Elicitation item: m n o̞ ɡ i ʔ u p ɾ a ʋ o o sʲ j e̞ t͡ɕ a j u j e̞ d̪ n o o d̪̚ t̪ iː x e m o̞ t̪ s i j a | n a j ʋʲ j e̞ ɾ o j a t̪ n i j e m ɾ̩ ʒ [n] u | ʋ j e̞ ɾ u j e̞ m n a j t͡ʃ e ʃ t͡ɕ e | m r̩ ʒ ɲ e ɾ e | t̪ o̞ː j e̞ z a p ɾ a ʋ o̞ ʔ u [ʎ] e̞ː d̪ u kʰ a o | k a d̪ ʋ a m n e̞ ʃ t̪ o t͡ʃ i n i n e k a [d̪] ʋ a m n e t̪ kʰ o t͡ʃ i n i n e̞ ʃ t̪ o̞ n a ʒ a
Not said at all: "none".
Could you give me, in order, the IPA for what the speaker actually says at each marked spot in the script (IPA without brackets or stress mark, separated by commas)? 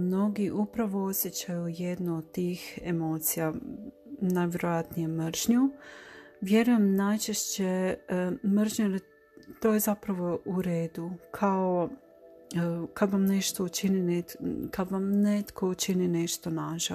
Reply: ɲ, ɾ, d̪